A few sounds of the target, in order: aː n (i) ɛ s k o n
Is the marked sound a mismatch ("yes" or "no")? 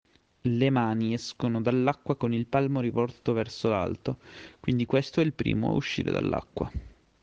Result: no